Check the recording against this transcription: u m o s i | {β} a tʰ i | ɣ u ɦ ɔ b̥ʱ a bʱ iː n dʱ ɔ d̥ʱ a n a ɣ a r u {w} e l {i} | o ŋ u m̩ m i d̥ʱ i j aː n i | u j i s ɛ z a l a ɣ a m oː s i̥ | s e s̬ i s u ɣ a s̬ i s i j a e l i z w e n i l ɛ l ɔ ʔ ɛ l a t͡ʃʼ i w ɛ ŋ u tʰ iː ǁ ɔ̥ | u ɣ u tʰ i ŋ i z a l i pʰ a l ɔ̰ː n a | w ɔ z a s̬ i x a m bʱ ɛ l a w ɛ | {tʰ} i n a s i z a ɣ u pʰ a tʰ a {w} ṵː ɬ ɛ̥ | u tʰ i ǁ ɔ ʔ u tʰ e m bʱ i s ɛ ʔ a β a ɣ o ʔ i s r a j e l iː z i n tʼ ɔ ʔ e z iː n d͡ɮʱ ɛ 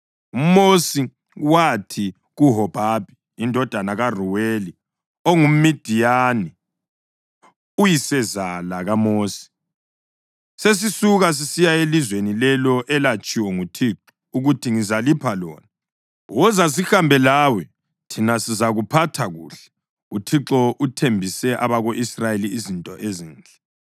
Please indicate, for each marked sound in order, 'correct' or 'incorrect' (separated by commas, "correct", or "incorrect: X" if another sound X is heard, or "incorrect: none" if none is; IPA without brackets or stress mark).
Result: incorrect: w, correct, correct, correct, incorrect: ɣ